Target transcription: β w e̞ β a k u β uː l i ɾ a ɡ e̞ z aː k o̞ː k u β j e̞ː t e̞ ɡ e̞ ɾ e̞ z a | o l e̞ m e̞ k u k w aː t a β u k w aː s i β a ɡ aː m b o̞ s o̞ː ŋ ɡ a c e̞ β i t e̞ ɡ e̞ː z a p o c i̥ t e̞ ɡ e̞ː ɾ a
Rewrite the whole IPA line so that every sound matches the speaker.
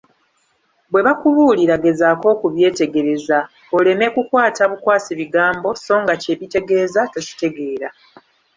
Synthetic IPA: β w e̞ β a k u β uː l i ɾ a ɡ e̞ z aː k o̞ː k u β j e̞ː t e̞ ɡ e̞ ɾ e̞ z a | o l e̞ m e̞ k u k w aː t a β u k w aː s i β i ɡ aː m b o̞ s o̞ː ŋ ɡ a c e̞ β i t e̞ ɡ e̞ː z a t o c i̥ t e̞ ɡ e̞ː ɾ a